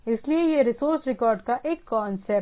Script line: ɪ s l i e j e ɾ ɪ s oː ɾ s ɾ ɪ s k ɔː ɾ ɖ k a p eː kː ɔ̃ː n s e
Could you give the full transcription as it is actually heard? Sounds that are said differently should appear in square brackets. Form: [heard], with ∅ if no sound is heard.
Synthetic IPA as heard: ɪ s l i e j e ɾ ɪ s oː ɾ s ɾ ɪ [∅] k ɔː ɾ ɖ k a [ʔ] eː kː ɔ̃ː n s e